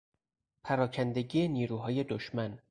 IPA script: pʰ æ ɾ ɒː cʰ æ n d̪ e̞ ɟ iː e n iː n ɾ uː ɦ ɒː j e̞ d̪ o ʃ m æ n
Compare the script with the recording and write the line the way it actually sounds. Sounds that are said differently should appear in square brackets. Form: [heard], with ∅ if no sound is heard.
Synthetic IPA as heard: pʰ æ ɾ ɒː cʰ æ n d̪ e̞ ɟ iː e n iː [∅] ɾ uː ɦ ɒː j e̞ d̪ o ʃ m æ n